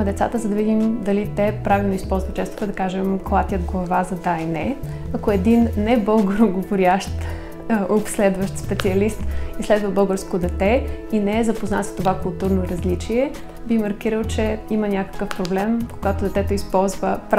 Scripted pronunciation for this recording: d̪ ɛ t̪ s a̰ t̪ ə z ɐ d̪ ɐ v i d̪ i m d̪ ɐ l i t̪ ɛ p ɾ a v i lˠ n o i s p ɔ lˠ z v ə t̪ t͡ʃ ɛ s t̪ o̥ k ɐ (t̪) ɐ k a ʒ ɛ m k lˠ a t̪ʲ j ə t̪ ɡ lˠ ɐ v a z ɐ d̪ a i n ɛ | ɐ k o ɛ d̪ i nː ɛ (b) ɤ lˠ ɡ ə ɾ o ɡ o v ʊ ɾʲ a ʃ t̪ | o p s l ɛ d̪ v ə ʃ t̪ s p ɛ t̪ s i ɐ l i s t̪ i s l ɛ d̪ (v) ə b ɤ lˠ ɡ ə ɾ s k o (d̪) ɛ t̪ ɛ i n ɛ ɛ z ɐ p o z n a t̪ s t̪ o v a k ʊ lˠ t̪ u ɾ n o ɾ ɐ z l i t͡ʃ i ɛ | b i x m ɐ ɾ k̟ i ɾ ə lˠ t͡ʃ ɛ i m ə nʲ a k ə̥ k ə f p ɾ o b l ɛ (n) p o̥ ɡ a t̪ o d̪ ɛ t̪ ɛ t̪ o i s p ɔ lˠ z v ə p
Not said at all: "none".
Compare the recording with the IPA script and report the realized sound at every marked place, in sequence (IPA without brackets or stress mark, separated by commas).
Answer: d̪, b, v, d̪, m